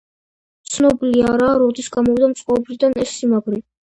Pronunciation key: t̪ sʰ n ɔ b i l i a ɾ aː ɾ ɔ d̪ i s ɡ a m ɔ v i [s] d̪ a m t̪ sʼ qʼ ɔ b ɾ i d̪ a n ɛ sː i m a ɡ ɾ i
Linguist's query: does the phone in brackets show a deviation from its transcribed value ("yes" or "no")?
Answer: yes